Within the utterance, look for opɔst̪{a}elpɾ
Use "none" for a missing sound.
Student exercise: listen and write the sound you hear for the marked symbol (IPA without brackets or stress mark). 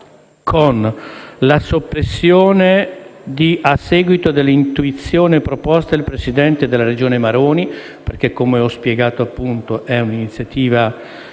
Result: a